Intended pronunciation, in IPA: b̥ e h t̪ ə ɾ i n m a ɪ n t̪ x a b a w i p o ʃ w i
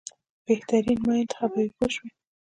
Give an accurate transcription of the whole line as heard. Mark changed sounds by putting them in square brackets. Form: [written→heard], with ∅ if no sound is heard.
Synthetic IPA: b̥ e h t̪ [ə→a] ɾ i n m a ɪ n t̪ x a b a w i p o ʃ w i